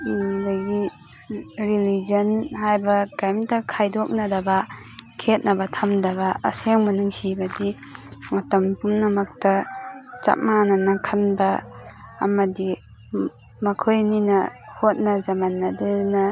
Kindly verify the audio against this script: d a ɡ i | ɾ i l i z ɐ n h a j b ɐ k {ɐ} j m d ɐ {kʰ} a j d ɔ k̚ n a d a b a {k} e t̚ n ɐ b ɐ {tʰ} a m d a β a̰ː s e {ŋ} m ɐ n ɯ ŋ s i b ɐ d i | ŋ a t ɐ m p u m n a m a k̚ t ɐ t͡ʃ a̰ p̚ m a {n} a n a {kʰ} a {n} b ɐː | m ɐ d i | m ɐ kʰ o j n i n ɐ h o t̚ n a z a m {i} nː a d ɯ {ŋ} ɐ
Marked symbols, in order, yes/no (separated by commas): no, yes, no, yes, yes, yes, yes, yes, no, no